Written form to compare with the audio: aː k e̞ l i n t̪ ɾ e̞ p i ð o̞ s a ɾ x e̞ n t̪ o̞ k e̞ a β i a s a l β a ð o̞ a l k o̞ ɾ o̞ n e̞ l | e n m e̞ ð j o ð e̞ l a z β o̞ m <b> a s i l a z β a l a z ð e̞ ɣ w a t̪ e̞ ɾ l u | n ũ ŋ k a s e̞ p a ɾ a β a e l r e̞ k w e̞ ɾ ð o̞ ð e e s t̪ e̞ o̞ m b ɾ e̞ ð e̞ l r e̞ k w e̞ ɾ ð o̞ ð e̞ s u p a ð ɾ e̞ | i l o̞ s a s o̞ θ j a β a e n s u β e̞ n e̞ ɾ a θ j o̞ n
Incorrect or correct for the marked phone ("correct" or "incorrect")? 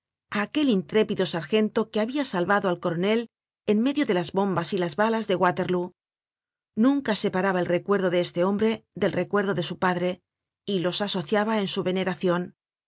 correct